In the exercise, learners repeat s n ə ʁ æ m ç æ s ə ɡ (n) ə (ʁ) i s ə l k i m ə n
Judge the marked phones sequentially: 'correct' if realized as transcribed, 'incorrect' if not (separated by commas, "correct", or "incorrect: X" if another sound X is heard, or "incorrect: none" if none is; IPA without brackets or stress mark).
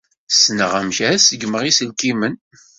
incorrect: m, correct